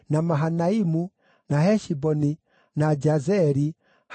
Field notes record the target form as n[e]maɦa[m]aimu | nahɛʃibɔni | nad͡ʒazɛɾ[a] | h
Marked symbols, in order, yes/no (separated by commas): no, no, no